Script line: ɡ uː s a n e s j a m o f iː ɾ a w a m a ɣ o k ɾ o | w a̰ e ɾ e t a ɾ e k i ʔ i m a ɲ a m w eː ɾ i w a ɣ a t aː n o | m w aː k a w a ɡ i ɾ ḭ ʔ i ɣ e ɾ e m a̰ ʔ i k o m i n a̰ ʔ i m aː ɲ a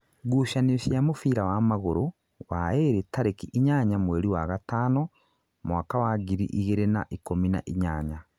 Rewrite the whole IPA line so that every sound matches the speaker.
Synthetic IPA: ɡ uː ʃ a n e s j a m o f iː ɾ a w a m a ɣ o ɾ o | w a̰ e ɾ e t a ɾ e k i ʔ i ɲ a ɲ a m w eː ɾ i w a ɣ a t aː n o | m w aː k a w a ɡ i ɾ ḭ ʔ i ɣ e ɾ e n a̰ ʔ i k o m i n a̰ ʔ i ɲ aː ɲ a